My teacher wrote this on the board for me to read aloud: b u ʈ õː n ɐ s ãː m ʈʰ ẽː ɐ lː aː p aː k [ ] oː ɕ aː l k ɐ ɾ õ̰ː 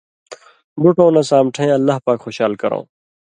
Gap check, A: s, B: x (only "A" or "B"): B